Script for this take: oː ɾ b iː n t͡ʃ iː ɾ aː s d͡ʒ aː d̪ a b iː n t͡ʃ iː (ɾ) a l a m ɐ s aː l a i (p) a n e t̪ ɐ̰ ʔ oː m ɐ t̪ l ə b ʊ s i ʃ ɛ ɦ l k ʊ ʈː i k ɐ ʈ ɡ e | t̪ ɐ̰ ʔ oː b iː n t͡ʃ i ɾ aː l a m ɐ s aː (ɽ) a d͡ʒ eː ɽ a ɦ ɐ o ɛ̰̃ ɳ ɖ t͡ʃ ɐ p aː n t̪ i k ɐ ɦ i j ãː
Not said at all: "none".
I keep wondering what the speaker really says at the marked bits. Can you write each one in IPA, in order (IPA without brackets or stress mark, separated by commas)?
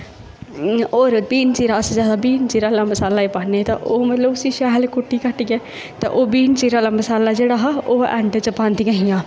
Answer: ɾ, p, l